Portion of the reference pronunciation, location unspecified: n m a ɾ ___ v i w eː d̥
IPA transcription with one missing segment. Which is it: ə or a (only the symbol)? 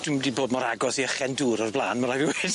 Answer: a